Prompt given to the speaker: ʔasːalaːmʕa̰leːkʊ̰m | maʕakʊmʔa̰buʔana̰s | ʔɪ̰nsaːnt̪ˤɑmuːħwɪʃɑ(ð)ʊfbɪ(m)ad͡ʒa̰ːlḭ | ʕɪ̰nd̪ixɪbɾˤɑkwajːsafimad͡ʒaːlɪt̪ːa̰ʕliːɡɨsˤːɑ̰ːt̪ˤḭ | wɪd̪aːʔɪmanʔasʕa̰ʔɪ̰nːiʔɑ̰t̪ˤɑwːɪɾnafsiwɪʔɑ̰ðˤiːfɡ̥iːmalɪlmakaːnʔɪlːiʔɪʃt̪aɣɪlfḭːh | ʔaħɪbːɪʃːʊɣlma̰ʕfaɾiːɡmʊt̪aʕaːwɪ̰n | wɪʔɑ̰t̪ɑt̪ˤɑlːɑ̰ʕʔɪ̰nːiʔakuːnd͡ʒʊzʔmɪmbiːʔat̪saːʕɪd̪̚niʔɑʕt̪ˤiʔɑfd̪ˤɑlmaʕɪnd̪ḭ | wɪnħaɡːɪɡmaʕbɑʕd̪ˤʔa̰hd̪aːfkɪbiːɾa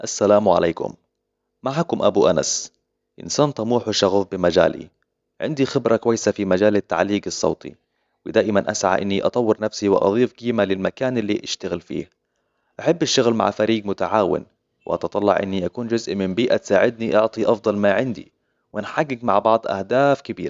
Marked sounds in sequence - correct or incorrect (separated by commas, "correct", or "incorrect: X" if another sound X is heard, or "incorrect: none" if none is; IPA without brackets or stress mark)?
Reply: incorrect: ɣ, correct